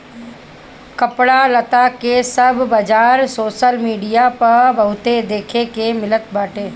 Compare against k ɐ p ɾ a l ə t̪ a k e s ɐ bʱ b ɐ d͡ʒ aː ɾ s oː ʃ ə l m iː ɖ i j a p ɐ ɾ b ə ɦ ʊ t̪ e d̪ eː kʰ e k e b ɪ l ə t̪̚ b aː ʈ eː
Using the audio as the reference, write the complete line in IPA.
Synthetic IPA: k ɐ p ɽ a l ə t̪ a k e s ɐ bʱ b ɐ d͡ʒ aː ɾ s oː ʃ ə l m iː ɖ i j a p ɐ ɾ b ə ɦ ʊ t̪ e d̪ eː kʰ e k e m ɪ l ə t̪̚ b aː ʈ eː